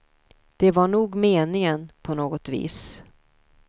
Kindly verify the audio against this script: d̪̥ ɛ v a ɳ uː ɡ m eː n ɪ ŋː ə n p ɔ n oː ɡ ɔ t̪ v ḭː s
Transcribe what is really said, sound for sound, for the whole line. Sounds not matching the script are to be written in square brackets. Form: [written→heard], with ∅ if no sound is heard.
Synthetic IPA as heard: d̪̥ ɛ v a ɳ uː ɡ m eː n ɪ [ŋː→ŋ] ə n [p→pʰ] ɔ n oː ɡ ɔ t̪ v ḭː s